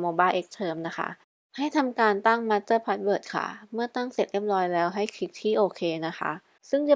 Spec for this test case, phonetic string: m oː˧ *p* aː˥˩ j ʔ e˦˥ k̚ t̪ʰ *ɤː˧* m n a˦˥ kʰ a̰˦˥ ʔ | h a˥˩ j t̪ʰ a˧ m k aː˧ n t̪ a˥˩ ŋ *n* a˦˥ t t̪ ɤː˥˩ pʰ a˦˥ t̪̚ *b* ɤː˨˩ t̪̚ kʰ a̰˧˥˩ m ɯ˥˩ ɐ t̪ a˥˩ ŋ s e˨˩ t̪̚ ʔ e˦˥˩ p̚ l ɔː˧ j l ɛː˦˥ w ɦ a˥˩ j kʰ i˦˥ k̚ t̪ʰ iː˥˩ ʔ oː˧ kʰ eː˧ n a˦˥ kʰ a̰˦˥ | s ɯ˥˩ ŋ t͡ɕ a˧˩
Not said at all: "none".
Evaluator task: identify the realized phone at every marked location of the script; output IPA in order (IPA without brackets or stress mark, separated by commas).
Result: b, ɤː˧, m, b